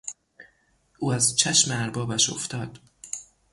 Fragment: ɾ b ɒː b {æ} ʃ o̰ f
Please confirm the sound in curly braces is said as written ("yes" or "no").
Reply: yes